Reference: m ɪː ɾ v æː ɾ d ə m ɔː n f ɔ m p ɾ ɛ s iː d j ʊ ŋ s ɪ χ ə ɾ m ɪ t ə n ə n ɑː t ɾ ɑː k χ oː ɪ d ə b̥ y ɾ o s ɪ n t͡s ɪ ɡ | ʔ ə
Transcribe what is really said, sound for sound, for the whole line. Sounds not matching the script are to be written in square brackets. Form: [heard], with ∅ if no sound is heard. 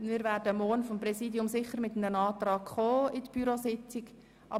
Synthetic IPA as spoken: m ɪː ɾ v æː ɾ d ə m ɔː n f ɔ m p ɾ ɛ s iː d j ʊ [m] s ɪ χ ə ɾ m ɪ t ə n ə n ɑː t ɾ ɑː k χ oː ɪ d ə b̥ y ɾ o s ɪ [∅] t͡s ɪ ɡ | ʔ [ɑ]